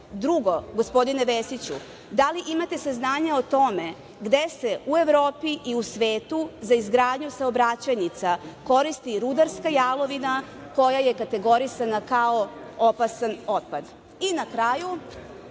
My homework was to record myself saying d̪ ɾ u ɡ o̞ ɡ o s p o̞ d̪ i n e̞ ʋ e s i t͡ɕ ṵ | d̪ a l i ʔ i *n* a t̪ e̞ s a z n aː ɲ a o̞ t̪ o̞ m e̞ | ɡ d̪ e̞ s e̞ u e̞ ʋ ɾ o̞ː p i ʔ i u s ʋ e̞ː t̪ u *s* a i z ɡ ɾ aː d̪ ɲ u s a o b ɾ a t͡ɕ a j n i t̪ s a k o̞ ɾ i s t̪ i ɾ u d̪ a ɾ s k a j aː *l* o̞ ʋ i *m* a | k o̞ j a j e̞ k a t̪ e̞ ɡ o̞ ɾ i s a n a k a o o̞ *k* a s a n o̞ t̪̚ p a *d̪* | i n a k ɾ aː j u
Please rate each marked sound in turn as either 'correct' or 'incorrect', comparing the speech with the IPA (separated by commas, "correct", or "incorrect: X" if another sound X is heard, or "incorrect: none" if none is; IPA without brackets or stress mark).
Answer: incorrect: m, incorrect: z, correct, incorrect: n, incorrect: p, correct